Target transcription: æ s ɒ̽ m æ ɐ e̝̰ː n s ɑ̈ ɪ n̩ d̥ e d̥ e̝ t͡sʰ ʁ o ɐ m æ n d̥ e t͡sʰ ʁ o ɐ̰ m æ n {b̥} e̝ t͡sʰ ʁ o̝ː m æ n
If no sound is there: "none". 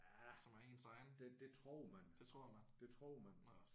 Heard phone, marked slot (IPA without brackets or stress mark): d̥